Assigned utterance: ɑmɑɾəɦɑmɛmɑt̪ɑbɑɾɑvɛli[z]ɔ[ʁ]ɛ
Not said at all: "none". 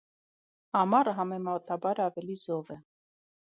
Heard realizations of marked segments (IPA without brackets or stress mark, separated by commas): z, v